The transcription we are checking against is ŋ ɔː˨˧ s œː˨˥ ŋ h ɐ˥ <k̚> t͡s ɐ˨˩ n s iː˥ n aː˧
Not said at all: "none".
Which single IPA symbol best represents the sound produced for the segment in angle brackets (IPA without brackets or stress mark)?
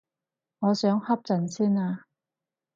p̚